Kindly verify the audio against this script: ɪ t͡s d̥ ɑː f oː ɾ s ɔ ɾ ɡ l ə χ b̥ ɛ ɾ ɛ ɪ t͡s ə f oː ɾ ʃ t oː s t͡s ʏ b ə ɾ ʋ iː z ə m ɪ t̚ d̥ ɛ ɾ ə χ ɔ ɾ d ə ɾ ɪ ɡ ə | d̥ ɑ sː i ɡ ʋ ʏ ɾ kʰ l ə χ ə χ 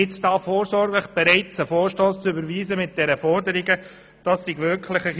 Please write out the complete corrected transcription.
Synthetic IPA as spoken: ɪ t͡s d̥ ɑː f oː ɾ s ɔ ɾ ɡ l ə χ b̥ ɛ ɾ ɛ ɪ t͡s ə f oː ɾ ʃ t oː s t͡s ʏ b ə ɾ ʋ iː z ə m ɪ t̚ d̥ ɛ ɾ ə f ɔ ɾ d ə ɾ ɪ ɡ ə | d̥ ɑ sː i ɡ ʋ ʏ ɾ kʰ l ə χ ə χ